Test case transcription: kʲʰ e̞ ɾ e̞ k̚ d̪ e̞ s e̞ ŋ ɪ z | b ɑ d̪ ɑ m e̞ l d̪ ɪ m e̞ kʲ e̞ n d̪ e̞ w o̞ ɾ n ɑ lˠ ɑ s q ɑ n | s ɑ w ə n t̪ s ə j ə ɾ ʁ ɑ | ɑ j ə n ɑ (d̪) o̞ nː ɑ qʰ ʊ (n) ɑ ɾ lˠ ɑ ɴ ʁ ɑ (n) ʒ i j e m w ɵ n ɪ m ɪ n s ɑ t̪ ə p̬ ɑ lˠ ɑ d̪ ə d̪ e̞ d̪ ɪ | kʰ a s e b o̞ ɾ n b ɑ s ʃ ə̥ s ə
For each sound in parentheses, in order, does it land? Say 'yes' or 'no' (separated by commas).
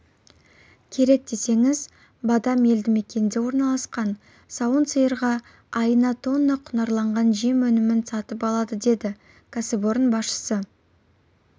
no, yes, yes